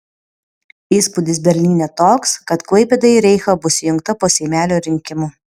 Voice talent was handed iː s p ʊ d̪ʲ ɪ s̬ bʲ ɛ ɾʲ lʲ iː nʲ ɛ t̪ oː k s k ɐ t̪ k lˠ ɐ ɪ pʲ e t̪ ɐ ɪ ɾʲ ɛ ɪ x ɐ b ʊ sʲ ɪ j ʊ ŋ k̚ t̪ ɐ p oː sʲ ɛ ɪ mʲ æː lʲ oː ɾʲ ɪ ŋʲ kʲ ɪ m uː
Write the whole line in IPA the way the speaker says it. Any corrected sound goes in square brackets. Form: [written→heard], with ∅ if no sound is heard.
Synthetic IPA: iː s p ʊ d̪ʲ ɪ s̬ bʲ ɛ ɾʲ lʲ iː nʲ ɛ t̪ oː k s k ɐ t̪ k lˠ ɐ ɪ pʲ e [t̪→d̪] ɐ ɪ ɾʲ ɛ ɪ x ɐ b ʊ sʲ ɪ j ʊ ŋ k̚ t̪ ɐ p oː sʲ ɛ ɪ mʲ æː lʲ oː ɾʲ ɪ ŋʲ kʲ ɪ m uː